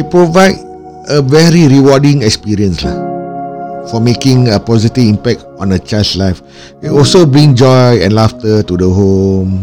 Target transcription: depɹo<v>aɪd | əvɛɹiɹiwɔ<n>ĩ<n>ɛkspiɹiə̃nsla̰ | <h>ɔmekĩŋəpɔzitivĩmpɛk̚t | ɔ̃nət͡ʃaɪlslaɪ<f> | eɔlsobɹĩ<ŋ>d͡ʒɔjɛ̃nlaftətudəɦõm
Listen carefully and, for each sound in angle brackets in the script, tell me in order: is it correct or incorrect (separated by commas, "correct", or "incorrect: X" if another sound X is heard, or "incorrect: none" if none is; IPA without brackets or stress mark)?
correct, incorrect: d, incorrect: ŋ, incorrect: f, correct, correct